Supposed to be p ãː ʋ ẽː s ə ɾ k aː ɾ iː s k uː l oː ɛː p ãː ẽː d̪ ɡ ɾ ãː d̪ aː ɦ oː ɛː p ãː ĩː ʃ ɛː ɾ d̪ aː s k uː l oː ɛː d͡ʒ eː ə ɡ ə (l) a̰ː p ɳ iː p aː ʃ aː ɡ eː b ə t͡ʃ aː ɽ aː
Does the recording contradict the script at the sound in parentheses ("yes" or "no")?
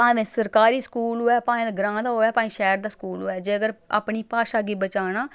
yes